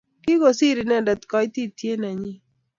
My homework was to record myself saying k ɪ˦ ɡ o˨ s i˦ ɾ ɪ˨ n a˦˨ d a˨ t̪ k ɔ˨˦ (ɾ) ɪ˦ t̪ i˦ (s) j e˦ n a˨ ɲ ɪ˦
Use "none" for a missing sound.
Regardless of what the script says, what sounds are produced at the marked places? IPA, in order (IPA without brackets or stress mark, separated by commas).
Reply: none, t